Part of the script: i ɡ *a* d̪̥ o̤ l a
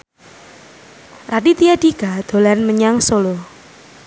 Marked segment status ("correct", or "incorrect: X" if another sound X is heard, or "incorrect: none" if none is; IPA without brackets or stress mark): correct